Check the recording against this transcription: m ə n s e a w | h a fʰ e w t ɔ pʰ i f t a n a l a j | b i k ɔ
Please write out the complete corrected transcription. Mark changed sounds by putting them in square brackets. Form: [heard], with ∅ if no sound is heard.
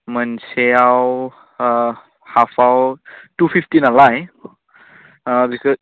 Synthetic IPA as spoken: m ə n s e a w | h a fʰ [a] w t [u] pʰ i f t [i] n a l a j | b i k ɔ